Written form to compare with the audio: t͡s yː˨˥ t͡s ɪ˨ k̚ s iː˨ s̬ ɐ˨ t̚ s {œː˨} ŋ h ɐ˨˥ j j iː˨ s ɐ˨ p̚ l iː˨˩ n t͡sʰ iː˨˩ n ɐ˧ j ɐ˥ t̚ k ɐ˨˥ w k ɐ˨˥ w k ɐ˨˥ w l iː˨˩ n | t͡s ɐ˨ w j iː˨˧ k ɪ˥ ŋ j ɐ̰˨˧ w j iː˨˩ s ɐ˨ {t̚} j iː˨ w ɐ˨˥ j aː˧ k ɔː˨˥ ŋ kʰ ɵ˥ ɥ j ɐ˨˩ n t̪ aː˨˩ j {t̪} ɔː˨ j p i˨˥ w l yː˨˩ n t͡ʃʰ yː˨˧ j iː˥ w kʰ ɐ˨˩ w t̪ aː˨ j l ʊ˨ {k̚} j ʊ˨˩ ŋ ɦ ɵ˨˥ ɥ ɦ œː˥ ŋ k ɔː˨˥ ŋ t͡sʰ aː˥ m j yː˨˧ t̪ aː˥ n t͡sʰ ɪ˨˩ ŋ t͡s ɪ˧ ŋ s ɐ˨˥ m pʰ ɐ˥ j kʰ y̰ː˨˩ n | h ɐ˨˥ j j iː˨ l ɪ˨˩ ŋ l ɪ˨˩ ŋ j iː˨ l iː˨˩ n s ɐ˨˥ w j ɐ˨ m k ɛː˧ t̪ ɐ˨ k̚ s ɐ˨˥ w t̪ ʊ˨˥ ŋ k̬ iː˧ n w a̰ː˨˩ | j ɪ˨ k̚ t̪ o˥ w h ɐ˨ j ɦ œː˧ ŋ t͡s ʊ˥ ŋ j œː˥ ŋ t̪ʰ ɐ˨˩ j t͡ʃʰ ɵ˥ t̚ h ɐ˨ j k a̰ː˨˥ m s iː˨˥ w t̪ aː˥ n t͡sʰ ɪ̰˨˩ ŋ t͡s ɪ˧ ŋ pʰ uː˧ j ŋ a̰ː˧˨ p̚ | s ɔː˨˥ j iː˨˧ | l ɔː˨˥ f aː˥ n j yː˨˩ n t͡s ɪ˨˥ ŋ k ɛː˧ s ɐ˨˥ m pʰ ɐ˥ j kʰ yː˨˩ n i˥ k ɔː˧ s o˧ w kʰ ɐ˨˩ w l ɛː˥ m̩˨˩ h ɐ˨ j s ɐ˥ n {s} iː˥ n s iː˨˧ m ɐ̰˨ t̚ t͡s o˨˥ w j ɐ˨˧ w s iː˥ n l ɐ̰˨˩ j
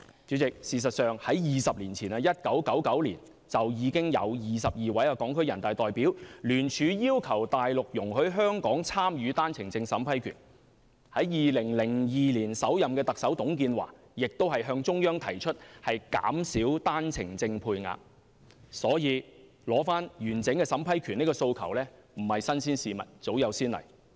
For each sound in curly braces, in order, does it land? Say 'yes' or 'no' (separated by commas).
yes, no, yes, yes, yes